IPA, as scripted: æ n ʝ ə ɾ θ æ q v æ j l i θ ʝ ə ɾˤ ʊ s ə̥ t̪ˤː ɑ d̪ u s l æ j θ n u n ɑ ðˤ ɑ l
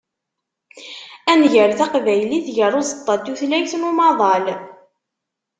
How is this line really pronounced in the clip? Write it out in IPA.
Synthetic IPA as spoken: æ n ʝ ə ɾ θ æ q v æ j l i θ ʝ ə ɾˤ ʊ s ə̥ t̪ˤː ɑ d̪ u θ l æ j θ n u m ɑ ðˤ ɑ l